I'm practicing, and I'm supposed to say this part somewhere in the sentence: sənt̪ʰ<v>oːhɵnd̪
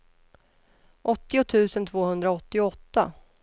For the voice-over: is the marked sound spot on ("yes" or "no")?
yes